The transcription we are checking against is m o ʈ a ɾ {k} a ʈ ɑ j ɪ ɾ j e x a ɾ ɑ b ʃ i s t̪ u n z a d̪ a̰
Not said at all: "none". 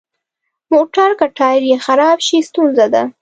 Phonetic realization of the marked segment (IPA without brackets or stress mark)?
k